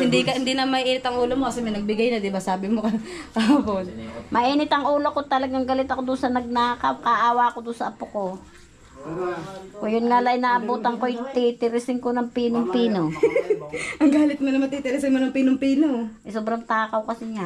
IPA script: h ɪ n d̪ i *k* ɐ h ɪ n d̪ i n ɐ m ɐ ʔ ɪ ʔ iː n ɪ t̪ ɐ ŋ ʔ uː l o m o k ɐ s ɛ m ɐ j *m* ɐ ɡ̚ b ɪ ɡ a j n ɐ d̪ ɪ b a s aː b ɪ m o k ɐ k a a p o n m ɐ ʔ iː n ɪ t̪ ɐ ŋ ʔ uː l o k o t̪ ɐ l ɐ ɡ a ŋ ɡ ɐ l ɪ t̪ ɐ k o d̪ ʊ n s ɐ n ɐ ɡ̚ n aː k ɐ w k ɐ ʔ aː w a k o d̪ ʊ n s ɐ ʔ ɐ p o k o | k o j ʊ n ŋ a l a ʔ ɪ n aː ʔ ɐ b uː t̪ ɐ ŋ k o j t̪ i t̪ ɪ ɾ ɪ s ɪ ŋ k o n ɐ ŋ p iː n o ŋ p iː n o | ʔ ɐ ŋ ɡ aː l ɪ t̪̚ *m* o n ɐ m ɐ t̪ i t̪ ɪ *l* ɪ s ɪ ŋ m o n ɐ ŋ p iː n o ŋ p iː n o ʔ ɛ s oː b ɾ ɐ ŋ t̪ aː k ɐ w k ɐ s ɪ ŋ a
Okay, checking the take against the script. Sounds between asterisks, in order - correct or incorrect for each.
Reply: correct, incorrect: n, correct, incorrect: ɾ

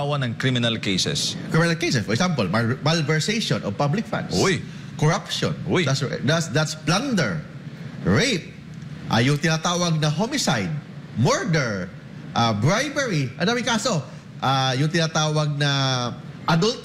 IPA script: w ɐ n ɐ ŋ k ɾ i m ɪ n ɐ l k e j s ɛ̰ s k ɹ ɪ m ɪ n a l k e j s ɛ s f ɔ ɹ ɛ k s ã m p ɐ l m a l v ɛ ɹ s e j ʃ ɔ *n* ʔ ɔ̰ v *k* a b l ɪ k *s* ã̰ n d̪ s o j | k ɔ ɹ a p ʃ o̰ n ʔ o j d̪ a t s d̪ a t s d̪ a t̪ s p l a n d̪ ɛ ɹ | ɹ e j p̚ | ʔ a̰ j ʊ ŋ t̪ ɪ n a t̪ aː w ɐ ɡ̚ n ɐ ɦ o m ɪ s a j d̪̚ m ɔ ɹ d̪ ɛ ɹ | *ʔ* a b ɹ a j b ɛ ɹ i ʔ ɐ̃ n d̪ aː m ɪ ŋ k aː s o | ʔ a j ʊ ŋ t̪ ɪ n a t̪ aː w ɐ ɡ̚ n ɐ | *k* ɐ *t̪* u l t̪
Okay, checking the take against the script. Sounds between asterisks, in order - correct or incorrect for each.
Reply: correct, incorrect: p, incorrect: f, correct, incorrect: ʔ, incorrect: d̪

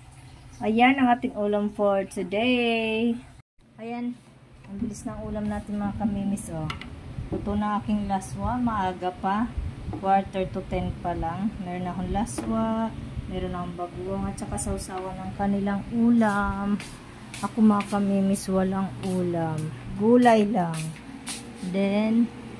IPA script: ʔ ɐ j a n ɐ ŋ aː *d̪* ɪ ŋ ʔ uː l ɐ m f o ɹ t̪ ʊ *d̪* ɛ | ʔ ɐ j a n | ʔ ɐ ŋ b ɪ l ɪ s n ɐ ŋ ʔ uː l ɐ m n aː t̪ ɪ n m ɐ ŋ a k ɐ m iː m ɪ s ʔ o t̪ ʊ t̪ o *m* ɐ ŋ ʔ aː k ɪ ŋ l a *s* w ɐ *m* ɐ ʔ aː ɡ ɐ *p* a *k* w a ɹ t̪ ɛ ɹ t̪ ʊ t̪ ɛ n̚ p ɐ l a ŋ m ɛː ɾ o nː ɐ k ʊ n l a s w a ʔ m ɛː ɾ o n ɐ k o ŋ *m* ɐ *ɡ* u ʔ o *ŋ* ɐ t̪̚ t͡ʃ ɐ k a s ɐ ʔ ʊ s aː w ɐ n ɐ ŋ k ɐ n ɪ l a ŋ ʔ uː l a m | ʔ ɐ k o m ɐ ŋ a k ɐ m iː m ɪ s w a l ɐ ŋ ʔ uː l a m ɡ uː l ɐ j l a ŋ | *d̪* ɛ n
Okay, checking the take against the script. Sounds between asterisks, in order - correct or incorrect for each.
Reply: incorrect: t̪, correct, incorrect: n, correct, correct, correct, correct, incorrect: b, correct, correct, correct

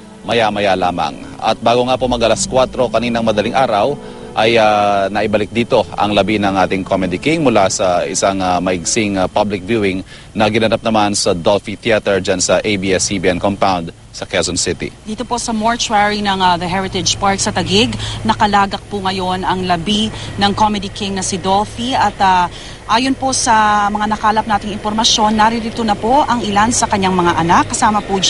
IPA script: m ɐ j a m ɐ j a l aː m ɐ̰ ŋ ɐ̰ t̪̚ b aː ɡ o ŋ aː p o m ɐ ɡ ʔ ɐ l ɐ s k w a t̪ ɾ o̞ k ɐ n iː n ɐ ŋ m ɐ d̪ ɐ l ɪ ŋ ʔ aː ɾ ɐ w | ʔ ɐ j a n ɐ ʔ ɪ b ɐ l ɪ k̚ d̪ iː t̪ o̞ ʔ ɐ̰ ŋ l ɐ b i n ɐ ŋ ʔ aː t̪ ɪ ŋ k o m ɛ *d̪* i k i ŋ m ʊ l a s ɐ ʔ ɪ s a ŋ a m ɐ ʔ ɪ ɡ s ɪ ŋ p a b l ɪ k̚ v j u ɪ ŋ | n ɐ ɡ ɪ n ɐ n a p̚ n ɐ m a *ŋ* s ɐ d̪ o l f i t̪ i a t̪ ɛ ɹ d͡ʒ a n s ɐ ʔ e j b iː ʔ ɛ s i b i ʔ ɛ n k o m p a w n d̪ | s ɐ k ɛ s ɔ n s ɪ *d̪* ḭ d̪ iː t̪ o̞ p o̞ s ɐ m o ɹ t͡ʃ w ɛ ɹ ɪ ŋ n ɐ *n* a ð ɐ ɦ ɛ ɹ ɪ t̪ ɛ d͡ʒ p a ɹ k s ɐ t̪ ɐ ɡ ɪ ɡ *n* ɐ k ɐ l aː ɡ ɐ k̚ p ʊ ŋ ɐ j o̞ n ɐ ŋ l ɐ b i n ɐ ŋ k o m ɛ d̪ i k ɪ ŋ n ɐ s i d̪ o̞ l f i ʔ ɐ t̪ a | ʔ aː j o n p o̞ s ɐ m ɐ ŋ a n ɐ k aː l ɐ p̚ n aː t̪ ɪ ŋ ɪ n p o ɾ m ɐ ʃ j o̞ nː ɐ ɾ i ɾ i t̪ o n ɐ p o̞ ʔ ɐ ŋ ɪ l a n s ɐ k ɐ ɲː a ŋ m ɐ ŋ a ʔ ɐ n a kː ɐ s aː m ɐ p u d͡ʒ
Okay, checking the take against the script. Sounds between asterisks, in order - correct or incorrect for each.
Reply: correct, incorrect: n, incorrect: t̪, incorrect: ŋ, correct

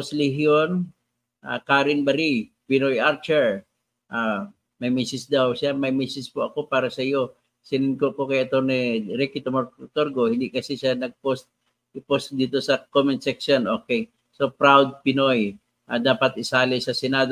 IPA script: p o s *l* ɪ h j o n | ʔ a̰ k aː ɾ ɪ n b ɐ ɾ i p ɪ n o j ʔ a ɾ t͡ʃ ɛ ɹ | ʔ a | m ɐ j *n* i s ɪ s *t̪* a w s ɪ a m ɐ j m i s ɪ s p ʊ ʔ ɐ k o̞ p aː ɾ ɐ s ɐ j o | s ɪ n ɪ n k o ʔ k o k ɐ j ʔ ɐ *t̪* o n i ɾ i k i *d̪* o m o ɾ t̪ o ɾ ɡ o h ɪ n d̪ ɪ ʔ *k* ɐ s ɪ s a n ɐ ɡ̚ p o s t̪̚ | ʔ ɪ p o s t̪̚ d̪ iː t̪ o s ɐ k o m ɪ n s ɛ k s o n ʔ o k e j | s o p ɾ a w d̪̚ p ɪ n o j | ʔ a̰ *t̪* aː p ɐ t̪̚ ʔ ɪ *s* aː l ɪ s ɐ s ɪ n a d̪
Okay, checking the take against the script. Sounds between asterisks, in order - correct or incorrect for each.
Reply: correct, incorrect: m, incorrect: d̪, correct, incorrect: t̪, correct, incorrect: d̪, correct

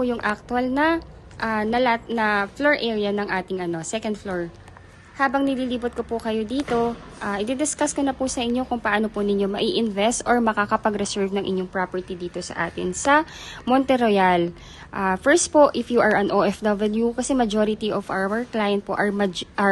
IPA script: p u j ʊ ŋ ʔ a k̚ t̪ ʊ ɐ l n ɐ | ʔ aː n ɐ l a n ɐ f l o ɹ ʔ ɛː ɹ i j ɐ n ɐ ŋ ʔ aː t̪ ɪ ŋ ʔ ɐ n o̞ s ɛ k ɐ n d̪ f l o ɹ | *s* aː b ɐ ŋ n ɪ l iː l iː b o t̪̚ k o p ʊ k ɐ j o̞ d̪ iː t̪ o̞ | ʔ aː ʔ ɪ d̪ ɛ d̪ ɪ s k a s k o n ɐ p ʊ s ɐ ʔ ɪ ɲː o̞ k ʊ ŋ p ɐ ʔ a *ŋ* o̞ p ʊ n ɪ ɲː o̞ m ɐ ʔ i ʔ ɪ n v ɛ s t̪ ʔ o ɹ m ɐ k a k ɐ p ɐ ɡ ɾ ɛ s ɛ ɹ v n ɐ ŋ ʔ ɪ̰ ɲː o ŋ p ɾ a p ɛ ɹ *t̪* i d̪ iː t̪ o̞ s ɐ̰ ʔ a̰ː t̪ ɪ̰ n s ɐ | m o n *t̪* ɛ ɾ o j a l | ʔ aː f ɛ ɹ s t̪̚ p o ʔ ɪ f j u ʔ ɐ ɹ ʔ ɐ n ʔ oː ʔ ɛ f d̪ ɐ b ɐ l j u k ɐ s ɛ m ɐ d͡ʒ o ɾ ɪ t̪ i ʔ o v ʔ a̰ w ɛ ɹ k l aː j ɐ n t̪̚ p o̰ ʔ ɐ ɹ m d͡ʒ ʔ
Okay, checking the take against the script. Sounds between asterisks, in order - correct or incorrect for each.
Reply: incorrect: h, incorrect: n, correct, correct

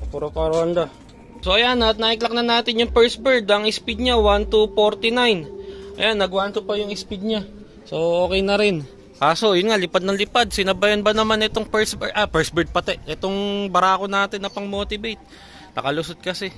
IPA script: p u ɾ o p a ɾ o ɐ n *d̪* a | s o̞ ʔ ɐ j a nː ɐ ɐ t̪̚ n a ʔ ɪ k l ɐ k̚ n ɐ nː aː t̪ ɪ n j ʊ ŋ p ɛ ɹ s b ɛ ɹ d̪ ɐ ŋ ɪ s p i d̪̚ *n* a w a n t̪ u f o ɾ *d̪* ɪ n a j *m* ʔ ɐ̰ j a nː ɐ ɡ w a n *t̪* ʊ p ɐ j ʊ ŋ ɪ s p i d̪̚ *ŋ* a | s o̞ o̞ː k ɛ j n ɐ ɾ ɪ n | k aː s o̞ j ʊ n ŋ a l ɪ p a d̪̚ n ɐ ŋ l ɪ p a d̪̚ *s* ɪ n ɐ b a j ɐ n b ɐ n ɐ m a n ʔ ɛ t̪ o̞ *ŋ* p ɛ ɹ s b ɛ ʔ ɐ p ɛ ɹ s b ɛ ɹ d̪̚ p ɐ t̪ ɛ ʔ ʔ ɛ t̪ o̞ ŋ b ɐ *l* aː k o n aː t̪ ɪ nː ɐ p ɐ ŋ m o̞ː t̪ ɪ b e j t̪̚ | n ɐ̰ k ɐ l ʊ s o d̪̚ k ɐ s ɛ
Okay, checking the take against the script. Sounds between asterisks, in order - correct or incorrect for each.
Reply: correct, incorrect: ɲ, incorrect: t̪, incorrect: n, correct, incorrect: ɲ, correct, correct, incorrect: ɾ

